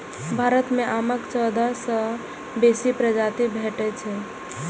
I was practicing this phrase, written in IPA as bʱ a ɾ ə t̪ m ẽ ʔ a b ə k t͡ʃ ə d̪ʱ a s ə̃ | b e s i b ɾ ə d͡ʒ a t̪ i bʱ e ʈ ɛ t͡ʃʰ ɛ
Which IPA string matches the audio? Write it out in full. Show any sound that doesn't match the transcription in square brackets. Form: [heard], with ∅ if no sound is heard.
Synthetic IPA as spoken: bʱ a ɾ ə t̪ m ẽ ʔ a [m] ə k t͡ʃ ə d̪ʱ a s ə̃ | b e s i [p] ɾ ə d͡ʒ a t̪ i bʱ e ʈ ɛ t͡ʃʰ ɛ